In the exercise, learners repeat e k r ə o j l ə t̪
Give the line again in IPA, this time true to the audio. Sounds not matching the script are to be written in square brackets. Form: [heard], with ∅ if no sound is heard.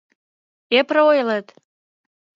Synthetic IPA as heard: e [p] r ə o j l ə t̪